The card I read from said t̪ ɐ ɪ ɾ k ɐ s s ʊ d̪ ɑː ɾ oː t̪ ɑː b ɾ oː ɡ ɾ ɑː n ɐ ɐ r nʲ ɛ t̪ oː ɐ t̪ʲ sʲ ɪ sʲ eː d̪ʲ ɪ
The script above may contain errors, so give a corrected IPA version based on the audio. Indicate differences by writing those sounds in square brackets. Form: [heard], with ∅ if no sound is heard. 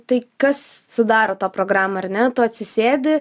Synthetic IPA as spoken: t̪ ɐ ɪ [∅] k ɐ s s ʊ d̪ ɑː ɾ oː t̪ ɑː [p] ɾ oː ɡ ɾ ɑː [m] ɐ ɐ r nʲ ɛ t̪ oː ɐ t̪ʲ sʲ ɪ sʲ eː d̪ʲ ɪ